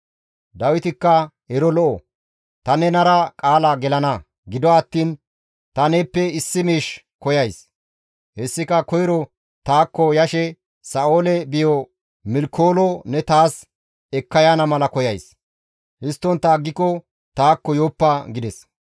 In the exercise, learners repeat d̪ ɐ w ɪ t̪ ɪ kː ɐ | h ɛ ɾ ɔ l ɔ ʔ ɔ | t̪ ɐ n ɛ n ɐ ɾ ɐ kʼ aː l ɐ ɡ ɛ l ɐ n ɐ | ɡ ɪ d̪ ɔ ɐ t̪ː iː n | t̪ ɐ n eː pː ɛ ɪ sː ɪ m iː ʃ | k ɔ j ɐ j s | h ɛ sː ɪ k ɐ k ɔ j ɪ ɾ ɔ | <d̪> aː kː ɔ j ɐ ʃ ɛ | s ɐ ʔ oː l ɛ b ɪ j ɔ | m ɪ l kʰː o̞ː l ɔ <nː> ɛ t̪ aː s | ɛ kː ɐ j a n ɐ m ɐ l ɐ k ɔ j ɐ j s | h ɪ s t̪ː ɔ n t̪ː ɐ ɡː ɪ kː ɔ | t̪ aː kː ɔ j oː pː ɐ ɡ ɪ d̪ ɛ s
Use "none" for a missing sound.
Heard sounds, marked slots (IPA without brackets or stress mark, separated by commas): t̪, n